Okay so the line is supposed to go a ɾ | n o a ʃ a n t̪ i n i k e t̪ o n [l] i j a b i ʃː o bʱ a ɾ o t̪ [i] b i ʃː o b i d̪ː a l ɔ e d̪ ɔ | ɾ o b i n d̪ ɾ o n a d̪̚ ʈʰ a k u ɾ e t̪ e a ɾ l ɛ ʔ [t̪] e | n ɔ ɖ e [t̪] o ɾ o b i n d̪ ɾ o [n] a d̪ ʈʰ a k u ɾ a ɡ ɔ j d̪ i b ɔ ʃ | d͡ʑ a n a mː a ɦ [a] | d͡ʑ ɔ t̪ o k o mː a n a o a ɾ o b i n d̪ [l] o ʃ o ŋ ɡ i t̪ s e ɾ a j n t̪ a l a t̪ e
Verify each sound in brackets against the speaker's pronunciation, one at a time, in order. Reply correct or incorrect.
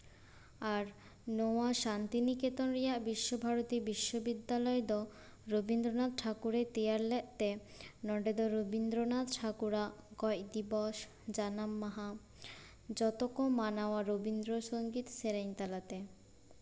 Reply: incorrect, correct, correct, incorrect, correct, correct, incorrect

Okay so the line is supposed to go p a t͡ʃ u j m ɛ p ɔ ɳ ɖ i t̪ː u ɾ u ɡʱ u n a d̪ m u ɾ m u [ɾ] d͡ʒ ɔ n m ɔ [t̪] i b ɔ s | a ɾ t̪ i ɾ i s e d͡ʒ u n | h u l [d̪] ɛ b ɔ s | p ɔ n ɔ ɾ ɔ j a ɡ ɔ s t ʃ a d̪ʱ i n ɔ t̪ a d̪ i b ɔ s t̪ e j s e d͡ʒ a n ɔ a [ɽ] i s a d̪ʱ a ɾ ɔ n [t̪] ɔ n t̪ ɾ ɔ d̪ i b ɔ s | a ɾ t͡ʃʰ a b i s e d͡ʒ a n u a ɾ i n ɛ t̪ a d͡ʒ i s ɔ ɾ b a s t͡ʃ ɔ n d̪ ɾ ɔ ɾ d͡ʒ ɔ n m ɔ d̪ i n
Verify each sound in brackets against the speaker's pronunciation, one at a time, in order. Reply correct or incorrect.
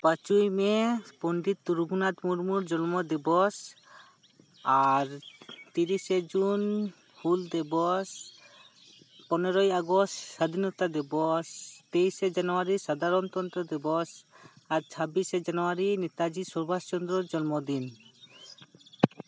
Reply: correct, incorrect, correct, incorrect, correct

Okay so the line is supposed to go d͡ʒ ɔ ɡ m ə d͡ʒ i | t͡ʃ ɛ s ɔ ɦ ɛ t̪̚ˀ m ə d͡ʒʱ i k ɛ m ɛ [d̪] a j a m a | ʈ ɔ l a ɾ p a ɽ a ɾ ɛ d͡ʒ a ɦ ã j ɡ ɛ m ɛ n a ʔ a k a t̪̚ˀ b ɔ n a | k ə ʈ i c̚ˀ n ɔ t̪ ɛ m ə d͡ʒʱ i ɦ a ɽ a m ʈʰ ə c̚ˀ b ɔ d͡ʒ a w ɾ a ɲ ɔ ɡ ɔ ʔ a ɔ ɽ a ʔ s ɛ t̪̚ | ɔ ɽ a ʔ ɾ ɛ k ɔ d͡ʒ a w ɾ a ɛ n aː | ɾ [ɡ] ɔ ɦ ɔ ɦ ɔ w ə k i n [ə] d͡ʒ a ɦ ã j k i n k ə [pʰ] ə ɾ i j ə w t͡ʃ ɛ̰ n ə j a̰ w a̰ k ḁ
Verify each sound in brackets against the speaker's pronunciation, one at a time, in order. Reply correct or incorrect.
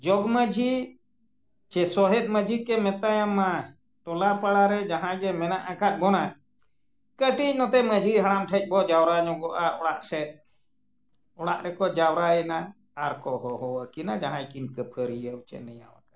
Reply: incorrect, incorrect, incorrect, correct

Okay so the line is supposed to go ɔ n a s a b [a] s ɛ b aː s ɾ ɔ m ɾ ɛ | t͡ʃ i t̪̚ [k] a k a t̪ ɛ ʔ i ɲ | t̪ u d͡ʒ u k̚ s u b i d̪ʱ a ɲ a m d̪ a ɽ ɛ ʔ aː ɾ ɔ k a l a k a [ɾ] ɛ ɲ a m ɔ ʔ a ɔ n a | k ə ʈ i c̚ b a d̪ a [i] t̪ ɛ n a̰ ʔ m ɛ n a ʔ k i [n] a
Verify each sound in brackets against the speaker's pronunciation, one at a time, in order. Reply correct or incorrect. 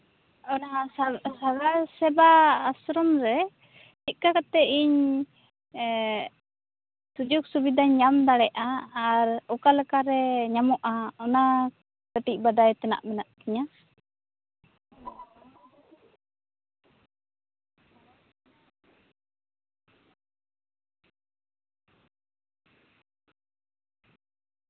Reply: correct, correct, correct, incorrect, incorrect

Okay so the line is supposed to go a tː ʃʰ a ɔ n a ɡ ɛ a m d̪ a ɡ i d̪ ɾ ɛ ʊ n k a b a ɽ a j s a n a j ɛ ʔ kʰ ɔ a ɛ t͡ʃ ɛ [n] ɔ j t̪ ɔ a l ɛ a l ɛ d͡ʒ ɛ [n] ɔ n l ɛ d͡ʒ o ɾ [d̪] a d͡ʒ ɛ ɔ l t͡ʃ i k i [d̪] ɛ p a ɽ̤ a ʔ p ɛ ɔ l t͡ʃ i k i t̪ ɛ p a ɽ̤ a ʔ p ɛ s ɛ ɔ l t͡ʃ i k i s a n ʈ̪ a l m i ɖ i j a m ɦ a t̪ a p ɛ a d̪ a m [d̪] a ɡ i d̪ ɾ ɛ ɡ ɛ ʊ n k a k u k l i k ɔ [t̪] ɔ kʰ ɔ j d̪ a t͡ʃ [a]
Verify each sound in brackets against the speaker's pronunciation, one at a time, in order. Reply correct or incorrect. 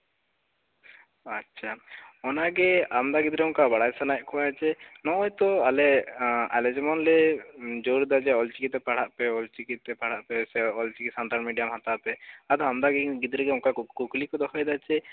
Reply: correct, incorrect, correct, incorrect, correct, incorrect, incorrect

